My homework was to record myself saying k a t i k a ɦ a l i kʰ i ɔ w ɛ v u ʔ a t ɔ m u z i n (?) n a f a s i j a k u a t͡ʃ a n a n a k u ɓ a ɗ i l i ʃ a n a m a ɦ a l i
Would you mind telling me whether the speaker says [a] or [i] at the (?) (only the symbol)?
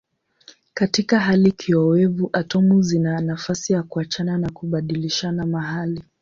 a